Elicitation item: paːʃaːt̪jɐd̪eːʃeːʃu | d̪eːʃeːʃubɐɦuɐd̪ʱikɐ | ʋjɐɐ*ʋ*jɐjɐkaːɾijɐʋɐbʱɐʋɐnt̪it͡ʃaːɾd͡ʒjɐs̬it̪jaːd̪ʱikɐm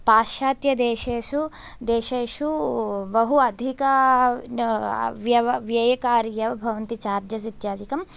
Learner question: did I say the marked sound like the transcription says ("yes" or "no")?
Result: yes